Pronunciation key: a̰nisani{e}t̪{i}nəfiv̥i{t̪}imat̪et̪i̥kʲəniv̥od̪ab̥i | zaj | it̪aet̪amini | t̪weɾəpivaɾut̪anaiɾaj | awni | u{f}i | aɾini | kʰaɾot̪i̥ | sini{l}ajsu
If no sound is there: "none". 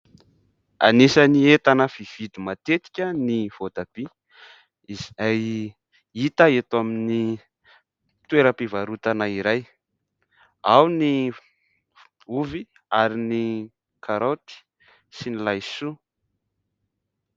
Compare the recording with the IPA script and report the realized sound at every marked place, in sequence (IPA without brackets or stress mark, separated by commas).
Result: e, a, d̪, v, l